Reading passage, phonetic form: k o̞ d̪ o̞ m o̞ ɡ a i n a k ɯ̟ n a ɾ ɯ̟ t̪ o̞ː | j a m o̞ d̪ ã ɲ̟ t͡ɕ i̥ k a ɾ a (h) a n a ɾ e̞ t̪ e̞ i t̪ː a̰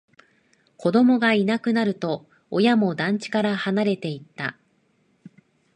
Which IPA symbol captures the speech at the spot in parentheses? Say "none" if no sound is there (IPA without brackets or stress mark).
h